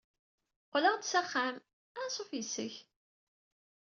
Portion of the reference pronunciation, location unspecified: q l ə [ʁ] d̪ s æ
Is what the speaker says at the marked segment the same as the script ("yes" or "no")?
yes